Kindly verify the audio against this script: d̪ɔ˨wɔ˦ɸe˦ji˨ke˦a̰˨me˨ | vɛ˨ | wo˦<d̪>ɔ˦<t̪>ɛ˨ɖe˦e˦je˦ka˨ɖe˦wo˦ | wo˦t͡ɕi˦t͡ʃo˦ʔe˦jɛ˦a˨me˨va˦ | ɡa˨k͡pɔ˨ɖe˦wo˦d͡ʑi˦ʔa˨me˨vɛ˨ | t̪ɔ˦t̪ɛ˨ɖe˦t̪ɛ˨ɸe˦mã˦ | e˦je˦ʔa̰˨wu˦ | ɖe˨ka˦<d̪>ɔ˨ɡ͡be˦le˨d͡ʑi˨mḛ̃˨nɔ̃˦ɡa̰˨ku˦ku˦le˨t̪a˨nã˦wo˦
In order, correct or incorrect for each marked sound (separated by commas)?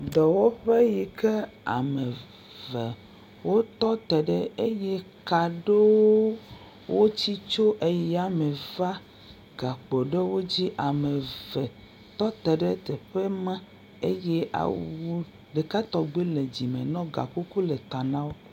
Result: incorrect, correct, incorrect